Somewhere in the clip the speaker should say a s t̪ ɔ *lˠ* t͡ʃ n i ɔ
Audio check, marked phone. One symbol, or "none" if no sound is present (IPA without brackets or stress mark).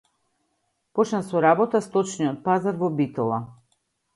none